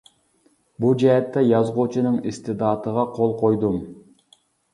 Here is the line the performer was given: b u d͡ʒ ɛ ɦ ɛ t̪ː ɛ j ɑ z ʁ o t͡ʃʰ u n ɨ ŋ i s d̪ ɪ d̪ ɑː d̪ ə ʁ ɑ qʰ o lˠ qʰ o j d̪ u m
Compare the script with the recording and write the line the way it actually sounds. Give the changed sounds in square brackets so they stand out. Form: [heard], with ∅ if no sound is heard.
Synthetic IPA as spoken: b u d͡ʒ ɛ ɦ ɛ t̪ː ɛ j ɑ z ʁ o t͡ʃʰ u n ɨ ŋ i s [t̪] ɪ d̪ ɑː [t̪] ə ʁ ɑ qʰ o lˠ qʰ o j d̪ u m